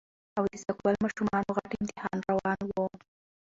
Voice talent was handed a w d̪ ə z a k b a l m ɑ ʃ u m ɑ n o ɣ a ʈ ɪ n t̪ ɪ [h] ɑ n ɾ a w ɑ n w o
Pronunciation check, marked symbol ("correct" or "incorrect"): correct